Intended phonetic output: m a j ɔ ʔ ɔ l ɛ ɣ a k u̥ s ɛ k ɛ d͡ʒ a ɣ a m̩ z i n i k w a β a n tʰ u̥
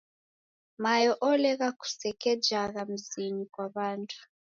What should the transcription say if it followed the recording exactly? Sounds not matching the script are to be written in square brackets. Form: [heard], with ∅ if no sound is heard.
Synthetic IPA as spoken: m a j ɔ ʔ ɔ l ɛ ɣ a k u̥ s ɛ k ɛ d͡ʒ a ɣ a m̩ z i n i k w a β a n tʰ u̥